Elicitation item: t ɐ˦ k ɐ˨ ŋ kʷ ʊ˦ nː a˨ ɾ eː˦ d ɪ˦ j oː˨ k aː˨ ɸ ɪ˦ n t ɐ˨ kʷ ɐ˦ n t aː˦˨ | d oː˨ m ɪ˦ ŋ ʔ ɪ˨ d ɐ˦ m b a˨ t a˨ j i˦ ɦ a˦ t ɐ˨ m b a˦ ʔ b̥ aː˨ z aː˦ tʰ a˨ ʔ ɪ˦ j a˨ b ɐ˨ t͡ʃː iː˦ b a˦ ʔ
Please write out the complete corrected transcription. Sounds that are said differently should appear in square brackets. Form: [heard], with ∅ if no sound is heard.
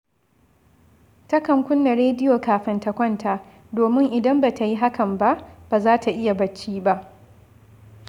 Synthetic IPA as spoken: t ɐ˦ k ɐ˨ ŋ kʷ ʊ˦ nː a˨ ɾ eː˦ d ɪ˦ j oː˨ k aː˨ ɸ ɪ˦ n t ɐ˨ kʷ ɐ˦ n t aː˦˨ | d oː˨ m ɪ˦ ŋ ʔ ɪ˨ d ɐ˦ m b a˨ t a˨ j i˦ ɦ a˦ [k] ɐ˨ m b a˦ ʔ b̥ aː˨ z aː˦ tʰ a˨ ʔ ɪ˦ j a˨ b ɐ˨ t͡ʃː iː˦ b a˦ ʔ